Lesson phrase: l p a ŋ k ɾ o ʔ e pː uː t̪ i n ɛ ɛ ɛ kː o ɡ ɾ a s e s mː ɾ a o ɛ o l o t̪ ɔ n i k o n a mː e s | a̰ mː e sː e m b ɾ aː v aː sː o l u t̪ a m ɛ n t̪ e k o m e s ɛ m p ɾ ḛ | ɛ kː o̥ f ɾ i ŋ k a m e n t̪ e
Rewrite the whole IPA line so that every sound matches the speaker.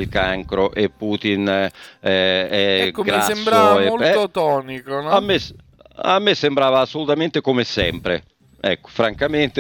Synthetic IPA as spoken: l k a ŋ k ɾ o ʔ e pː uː t̪ i n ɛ ɛ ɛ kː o ɡ ɾ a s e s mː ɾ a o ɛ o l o t̪ ɔ n i k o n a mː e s | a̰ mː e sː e m b ɾ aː v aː sː o l u t̪ a m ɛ n t̪ e k o m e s ɛ m p ɾ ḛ | ɛ kː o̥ f ɾ a ŋ k a m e n t̪ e